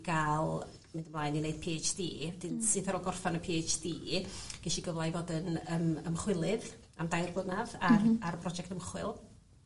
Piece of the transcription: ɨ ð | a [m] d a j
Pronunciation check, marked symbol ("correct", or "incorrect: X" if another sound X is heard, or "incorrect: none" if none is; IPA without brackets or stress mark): correct